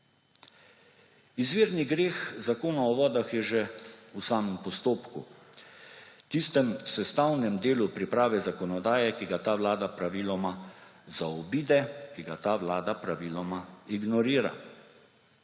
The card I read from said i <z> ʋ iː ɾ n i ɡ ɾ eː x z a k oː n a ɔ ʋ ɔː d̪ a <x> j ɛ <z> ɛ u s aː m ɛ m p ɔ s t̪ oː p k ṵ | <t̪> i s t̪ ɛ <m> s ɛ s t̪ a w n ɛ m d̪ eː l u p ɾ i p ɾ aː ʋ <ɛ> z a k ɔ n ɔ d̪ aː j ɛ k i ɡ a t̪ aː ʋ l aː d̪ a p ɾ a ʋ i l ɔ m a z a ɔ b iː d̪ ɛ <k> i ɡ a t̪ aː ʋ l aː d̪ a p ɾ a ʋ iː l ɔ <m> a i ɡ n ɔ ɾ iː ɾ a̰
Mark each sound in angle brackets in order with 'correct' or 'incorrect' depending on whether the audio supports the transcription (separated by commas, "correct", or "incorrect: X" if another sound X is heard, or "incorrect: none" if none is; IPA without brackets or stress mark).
correct, correct, incorrect: ʒ, correct, correct, correct, correct, correct